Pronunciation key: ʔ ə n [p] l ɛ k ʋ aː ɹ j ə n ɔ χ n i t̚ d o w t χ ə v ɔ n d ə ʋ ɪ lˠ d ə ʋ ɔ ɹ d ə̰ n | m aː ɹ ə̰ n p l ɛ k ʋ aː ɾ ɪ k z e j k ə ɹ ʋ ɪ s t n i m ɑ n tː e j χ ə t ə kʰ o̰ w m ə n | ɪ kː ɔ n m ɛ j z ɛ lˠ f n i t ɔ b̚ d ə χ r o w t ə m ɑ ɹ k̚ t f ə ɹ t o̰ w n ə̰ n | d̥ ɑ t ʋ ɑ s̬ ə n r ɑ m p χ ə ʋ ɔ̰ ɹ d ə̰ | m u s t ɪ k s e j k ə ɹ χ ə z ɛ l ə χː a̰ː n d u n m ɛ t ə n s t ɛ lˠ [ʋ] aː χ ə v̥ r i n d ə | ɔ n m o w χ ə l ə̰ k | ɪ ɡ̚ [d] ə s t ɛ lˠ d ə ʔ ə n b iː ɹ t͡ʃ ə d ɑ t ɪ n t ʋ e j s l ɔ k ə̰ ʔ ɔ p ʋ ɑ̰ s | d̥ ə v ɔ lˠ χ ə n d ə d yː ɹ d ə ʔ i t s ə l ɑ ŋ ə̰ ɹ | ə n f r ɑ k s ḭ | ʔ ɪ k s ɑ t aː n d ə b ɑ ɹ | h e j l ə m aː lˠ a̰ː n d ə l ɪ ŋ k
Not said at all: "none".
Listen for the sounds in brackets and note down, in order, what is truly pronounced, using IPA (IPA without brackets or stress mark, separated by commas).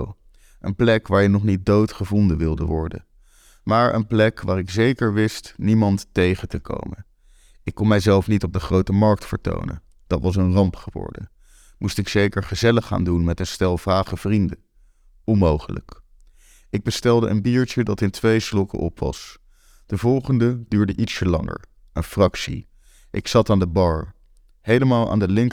p, v, b